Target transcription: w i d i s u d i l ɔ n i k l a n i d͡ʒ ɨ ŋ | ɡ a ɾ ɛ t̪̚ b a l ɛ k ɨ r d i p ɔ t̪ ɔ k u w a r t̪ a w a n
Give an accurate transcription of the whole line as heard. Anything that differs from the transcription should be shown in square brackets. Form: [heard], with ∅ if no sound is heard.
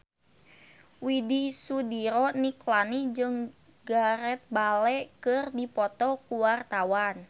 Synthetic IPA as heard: w i d i s u d i [ɾ] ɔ n i k l a n i d͡ʒ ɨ ŋ | ɡ a ɾ ɛ t̪̚ b a l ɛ k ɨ r d i p ɔ t̪ ɔ k u w a r t̪ a w a n